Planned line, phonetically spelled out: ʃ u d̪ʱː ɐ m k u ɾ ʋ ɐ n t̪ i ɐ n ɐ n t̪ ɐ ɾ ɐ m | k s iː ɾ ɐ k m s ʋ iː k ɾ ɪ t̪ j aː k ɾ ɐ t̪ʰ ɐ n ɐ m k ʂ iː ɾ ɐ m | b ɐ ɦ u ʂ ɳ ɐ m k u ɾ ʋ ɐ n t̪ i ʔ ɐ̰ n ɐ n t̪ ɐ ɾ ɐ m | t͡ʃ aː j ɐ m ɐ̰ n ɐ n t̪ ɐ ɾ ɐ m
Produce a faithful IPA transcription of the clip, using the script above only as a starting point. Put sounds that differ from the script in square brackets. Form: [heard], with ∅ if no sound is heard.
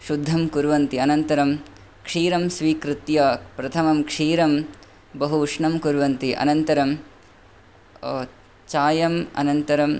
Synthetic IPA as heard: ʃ u d̪ʱː ɐ m k u ɾ ʋ ɐ n t̪ i ɐ n ɐ n t̪ ɐ ɾ ɐ m | k [ʂ] iː ɾ ɐ [∅] m s ʋ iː k ɾ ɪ t̪ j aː [p] ɾ ɐ t̪ʰ ɐ [m] ɐ m k ʂ iː ɾ ɐ m | b ɐ ɦ u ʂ ɳ ɐ m k u ɾ ʋ ɐ n t̪ i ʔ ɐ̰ n ɐ n t̪ ɐ ɾ ɐ m | t͡ʃ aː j ɐ m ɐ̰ n ɐ n t̪ ɐ ɾ ɐ m